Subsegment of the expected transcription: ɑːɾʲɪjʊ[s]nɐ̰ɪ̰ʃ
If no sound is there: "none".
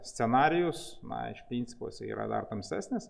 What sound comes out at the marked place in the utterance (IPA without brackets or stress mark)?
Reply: s